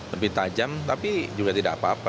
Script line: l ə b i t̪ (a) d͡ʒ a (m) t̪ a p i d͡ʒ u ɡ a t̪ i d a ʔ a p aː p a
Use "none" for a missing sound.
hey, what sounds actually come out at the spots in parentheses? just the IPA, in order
a, m

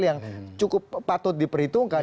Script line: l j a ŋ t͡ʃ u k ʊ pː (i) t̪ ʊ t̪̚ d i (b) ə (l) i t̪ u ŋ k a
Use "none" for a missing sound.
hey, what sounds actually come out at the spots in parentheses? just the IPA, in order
a, p, ɾ

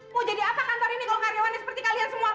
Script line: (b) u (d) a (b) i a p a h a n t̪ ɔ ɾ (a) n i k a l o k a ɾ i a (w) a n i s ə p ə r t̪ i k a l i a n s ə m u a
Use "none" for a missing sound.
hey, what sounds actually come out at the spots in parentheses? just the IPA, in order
m, d͡ʒ, d, i, w

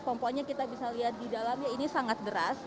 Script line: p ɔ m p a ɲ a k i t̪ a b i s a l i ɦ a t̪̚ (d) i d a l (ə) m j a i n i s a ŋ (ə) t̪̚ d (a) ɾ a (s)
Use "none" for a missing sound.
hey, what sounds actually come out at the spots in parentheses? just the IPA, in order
d, a, a, ə, s

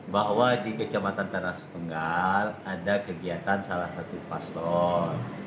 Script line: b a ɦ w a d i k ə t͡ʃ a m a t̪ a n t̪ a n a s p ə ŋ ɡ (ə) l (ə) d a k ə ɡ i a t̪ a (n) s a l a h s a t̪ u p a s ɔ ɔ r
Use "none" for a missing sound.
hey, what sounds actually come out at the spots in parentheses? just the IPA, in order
a, a, n

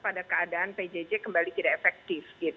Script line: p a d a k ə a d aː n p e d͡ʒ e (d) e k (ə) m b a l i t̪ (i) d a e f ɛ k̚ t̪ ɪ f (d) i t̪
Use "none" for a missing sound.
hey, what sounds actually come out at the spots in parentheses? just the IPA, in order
d͡ʒ, ə, i, ɡ

